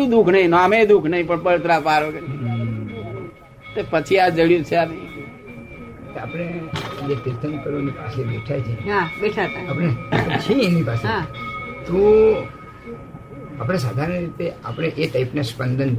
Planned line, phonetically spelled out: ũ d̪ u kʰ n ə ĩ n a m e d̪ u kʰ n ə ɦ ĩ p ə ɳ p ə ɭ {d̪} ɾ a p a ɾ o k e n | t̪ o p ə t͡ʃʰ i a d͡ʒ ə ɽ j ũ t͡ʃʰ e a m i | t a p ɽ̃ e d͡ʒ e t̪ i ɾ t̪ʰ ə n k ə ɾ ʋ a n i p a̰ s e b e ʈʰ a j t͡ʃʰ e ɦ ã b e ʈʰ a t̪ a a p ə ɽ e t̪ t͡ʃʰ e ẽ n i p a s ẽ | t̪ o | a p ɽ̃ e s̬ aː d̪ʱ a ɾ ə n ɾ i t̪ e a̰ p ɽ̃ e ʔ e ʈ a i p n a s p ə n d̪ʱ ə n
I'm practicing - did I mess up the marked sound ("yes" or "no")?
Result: yes